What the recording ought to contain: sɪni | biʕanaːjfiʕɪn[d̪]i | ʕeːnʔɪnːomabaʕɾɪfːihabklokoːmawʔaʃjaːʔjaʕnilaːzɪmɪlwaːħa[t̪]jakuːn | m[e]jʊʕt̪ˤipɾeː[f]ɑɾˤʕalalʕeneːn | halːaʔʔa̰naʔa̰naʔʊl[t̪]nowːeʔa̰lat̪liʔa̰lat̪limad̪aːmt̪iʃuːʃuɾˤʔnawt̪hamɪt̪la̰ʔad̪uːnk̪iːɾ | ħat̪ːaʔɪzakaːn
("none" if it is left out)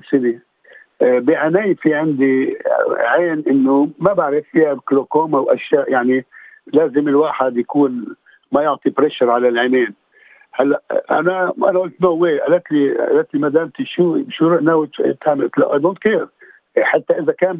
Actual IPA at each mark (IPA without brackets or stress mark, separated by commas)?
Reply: d̪, d̪, a, ʃ, t̪